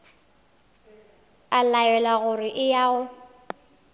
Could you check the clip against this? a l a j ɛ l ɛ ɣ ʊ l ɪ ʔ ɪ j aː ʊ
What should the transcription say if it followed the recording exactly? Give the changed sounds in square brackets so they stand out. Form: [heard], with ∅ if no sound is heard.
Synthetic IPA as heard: a l a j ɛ l [a] ɣ ʊ [r] ɪ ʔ ɪ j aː ʊ